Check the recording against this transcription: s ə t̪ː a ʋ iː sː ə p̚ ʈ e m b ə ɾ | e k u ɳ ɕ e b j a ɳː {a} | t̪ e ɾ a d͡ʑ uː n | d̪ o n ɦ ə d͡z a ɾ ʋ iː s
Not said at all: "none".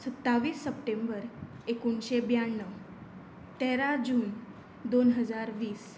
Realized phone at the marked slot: ə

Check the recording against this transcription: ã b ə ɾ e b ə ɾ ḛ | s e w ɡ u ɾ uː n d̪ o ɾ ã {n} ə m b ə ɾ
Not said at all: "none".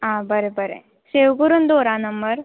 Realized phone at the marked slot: n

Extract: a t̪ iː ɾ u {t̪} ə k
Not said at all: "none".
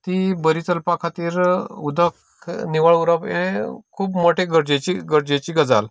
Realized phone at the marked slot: d̪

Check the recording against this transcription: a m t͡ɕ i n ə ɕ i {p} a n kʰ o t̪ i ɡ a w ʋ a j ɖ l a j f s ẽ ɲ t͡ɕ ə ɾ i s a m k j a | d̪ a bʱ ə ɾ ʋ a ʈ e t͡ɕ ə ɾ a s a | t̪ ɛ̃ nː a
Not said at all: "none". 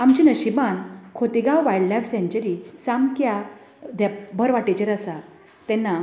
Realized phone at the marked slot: b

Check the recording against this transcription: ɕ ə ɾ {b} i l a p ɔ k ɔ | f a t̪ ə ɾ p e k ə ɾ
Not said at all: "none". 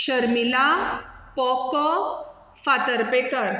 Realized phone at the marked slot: m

